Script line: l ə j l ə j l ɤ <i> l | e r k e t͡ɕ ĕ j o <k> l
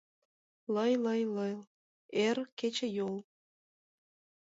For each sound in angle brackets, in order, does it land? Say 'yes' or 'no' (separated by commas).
no, no